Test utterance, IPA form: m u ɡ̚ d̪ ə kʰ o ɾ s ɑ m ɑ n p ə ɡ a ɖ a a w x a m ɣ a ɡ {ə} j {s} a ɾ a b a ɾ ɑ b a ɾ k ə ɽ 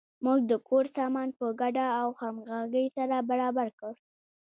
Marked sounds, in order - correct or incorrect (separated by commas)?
correct, correct